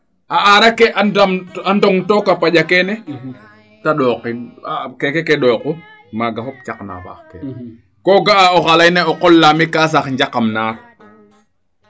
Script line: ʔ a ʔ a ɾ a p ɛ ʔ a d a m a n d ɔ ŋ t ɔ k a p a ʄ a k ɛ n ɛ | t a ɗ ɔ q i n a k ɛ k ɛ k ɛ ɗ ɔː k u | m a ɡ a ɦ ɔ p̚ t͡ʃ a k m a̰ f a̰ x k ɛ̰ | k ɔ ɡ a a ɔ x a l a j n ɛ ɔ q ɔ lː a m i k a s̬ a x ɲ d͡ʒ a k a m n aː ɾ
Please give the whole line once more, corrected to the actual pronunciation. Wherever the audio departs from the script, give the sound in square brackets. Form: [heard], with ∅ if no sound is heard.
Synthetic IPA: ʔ a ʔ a ɾ a [k] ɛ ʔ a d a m a n d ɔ ŋ t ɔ k a p a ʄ a k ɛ n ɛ | t a ɗ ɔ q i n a k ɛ k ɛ k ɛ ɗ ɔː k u | m a ɡ a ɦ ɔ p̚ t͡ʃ a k [n] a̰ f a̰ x k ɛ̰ | k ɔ ɡ a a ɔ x a l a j n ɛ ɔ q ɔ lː a m i k a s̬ a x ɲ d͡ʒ a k a m n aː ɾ

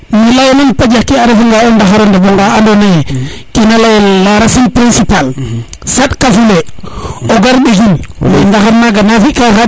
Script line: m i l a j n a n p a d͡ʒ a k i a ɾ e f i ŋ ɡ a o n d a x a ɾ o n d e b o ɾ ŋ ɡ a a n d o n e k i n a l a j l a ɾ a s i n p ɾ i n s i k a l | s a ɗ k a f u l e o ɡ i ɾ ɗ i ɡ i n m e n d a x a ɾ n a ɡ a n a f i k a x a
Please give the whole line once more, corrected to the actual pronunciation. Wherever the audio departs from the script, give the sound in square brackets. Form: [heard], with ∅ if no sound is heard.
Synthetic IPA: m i l a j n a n p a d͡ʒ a k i a ɾ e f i ŋ ɡ a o n d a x a ɾ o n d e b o [∅] ŋ ɡ a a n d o n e k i n a l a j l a ɾ a s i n p ɾ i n s i [p] a l | s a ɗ k a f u l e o ɡ [a] ɾ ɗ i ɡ i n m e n d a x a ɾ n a ɡ a n a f i k a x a

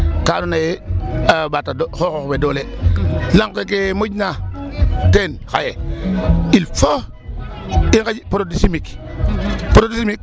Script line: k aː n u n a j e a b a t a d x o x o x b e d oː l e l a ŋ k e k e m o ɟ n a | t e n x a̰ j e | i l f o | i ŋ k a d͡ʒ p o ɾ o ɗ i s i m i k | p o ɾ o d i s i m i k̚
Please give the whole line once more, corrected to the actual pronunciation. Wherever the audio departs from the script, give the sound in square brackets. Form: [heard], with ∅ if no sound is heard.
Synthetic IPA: k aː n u n a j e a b a t a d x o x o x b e d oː l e l a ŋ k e k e m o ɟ n a | t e n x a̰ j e | i l f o | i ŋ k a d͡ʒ p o ɾ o [d] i s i m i k | p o ɾ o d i s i m i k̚

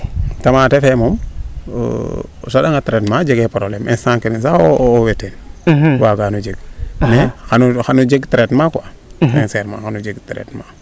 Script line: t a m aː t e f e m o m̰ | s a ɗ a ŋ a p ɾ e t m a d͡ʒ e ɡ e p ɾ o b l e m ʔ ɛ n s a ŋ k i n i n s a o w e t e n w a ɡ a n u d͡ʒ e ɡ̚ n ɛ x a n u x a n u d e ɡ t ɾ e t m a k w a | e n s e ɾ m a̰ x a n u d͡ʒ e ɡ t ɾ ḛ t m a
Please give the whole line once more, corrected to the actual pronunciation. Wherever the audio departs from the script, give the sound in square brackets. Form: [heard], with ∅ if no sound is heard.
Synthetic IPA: t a m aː t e f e m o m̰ | s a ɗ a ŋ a [t] ɾ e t m a d͡ʒ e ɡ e p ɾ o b l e m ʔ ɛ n s a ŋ k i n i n s a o w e t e n w a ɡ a n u d͡ʒ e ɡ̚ n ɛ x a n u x a n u [d͡ʒ] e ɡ t ɾ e t m a k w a | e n s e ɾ m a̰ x a n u d͡ʒ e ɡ t ɾ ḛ t m a

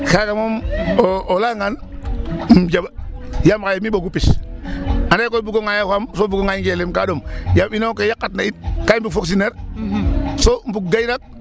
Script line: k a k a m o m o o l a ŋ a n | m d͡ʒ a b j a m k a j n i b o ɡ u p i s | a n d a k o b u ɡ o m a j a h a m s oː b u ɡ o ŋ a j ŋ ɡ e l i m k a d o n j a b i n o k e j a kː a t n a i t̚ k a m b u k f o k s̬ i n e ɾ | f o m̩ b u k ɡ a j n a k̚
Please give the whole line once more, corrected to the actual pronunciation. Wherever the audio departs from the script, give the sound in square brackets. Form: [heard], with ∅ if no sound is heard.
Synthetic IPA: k a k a m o m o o l a ŋ a n | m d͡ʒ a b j a m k a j [m] i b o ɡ u p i s | a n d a k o b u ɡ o [ŋ] a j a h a m s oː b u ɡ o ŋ a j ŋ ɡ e l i m k a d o [m] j a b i n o k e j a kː a t n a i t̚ k a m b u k f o k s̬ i n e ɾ | [s] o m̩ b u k ɡ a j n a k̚

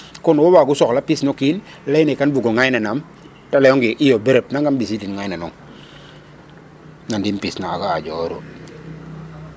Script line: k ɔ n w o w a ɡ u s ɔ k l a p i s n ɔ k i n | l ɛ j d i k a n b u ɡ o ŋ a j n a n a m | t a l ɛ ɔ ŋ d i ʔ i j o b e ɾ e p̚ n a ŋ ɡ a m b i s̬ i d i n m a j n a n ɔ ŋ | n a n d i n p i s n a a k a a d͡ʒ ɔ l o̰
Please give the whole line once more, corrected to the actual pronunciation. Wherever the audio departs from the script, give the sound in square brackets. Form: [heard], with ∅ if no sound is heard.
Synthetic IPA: k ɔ n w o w a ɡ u s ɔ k l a p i s n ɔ k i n | l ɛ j [n] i k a n b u ɡ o ŋ a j n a n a m | t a l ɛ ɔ ŋ [ɡ] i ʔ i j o b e ɾ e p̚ n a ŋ ɡ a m b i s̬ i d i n [ŋ] a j n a n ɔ ŋ | n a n d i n p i s n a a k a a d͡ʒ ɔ [ɾ] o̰

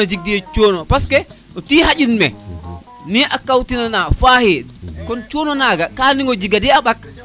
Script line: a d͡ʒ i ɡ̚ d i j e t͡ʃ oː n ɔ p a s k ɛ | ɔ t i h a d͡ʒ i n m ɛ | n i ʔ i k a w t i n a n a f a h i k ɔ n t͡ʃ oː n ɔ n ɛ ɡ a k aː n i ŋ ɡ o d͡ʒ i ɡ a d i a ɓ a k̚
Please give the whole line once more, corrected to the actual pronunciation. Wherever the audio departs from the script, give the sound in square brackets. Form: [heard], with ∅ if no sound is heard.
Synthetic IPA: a d͡ʒ i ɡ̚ d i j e t͡ʃ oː n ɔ p a s k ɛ | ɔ t i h a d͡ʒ i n m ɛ | n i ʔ [a] k a w t i n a n a f a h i k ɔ n t͡ʃ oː n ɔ n [a] ɡ a k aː n i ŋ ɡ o d͡ʒ i ɡ a d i a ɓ a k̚

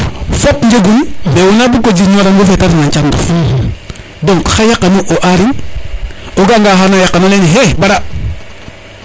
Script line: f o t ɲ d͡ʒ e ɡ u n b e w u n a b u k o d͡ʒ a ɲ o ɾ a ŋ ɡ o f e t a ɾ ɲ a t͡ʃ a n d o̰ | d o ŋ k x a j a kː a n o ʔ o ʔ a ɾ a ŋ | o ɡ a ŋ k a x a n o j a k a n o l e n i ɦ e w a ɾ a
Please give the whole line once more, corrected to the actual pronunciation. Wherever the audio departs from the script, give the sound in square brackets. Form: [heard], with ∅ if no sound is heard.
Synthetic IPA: f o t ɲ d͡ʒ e ɡ u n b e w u n a b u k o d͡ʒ [i] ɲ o ɾ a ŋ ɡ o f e t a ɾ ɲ a t͡ʃ a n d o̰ | d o ŋ k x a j a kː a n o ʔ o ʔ a ɾ [i] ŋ | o ɡ a ŋ [ɡ] a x a n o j a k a n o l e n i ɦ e [b] a ɾ a

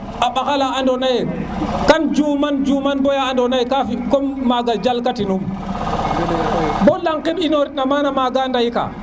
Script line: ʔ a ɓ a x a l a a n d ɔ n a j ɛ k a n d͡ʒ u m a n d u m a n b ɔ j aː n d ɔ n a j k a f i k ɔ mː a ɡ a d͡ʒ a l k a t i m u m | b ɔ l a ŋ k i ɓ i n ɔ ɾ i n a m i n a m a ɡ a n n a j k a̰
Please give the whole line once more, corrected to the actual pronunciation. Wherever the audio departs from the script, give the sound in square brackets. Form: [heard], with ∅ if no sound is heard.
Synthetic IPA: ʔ a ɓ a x a l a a n d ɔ n a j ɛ k a n d͡ʒ u m a n [d͡ʒ] u m a n b ɔ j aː n d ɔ n a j k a f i k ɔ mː a ɡ a d͡ʒ a l k a t i [n] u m | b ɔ l a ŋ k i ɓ i n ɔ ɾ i n a m [a] n a m a ɡ a n [d] a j k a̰

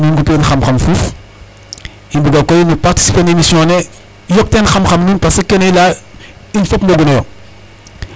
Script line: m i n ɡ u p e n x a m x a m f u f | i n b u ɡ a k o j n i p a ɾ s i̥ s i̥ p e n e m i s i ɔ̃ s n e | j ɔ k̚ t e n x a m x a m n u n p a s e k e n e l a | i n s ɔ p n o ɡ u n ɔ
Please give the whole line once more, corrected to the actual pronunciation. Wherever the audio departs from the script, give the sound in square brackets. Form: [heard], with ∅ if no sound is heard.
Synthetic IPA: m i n ɡ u p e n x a m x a m f u f | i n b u ɡ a k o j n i p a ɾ [t] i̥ s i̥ p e n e m i s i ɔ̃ [∅] n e | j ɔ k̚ t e n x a m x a m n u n p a s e k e n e l a | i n [f] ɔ p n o ɡ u n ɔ

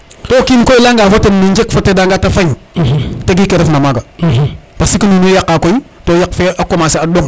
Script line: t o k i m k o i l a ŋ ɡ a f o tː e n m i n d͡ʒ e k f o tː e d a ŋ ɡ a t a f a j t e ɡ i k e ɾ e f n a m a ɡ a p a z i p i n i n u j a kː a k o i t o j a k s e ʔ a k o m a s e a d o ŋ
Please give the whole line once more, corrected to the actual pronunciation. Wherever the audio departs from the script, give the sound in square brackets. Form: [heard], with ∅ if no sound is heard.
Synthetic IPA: t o k i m k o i l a ŋ ɡ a f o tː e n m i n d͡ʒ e k f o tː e d a ŋ ɡ a t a f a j t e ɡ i k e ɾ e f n a m a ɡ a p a [s] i [k] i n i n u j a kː a k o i t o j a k [f] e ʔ a k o m a s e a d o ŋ

